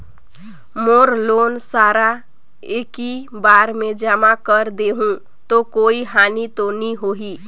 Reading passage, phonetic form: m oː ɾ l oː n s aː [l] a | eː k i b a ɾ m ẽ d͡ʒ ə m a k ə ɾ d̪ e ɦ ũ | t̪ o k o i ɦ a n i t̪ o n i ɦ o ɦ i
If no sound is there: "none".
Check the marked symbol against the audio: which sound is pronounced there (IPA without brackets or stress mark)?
ɾ